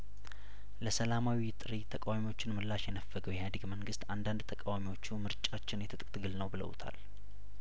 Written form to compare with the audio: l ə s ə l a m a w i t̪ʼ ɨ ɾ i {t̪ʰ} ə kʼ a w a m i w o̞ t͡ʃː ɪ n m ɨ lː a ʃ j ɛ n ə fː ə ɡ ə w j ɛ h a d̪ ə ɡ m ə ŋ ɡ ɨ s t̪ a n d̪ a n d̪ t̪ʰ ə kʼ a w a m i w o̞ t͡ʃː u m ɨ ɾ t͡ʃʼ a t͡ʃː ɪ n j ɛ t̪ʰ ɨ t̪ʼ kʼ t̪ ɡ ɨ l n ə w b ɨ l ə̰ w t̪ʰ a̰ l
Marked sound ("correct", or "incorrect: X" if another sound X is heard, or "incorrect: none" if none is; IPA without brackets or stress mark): correct